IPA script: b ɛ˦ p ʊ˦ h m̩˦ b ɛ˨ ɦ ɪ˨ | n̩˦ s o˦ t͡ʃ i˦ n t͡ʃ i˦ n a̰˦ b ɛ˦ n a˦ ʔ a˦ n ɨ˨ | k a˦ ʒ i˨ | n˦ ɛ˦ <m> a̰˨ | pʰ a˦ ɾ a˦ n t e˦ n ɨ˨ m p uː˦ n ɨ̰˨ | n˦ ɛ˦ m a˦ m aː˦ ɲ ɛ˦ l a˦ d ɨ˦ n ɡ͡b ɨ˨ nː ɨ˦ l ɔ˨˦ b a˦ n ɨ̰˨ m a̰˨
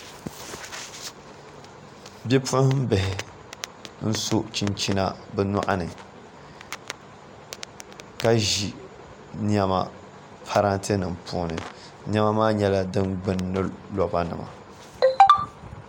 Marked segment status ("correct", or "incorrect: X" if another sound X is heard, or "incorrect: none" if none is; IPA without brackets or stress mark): correct